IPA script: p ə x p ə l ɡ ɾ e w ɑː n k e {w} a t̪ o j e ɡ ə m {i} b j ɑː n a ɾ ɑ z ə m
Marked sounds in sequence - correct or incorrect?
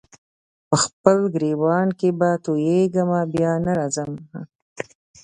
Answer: incorrect: b, incorrect: a

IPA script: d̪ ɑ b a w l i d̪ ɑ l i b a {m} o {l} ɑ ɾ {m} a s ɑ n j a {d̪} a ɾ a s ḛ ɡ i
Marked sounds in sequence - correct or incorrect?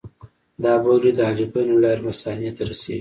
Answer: incorrect: n, correct, correct, incorrect: t̪

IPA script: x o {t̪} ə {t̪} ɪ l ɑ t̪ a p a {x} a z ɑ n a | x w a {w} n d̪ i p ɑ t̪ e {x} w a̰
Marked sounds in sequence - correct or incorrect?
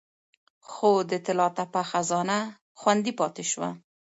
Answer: incorrect: d̪, correct, correct, incorrect: none, incorrect: ʃ

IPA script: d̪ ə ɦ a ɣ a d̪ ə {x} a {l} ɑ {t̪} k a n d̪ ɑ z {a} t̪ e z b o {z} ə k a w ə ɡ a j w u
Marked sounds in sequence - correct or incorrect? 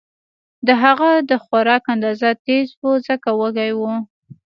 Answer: correct, incorrect: ɾ, incorrect: none, correct, correct

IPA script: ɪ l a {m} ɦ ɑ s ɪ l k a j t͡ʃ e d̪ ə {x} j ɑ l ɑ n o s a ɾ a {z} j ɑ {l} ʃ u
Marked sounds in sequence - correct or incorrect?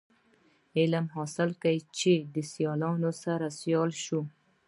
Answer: correct, incorrect: s, incorrect: s, correct

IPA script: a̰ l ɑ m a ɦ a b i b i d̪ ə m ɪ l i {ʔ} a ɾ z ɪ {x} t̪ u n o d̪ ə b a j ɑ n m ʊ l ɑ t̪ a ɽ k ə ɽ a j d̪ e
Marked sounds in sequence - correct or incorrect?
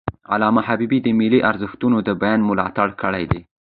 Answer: correct, correct

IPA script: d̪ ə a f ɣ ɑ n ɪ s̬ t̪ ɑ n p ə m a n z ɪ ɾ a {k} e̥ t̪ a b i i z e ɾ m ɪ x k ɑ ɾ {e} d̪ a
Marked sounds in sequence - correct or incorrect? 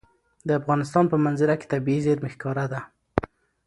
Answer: correct, incorrect: a

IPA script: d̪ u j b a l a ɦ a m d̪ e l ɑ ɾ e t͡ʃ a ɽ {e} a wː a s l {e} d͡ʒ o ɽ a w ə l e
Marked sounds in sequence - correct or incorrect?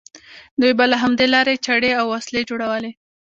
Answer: correct, correct

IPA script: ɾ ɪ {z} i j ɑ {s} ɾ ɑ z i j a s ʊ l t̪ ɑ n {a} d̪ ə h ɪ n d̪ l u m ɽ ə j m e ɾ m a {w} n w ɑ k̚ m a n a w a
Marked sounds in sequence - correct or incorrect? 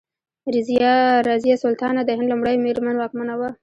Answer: correct, incorrect: none, correct, incorrect: none

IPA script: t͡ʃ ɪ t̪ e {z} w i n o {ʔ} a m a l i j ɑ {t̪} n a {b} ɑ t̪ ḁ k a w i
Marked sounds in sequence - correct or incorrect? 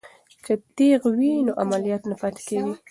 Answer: incorrect: ɣ, correct, correct, incorrect: p

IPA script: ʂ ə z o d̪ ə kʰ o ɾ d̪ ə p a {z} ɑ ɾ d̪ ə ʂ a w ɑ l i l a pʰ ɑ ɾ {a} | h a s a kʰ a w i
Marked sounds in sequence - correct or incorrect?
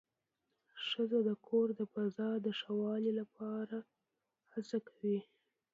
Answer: correct, correct

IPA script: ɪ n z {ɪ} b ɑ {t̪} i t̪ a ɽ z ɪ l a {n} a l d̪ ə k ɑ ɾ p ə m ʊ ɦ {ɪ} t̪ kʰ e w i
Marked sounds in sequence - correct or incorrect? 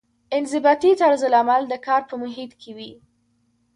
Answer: correct, correct, incorrect: m, incorrect: i

